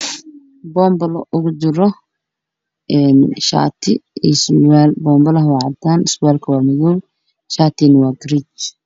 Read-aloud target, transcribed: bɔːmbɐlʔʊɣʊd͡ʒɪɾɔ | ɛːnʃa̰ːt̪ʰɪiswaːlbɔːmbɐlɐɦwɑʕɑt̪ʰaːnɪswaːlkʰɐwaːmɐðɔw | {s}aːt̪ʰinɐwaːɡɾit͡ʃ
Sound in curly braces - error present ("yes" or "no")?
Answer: yes